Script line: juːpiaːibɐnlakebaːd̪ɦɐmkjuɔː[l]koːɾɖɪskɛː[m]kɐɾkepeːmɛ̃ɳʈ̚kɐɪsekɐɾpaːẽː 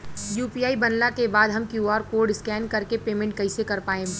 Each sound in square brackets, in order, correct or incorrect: incorrect, incorrect

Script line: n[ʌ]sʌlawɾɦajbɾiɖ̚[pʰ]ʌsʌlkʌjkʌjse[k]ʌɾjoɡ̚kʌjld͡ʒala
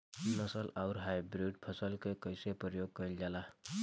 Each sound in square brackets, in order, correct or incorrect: correct, correct, incorrect

